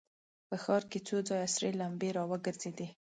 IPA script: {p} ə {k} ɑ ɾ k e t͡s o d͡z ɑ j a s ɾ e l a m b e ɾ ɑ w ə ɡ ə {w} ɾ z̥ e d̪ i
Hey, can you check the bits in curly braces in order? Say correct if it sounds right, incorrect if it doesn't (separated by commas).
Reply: correct, incorrect, incorrect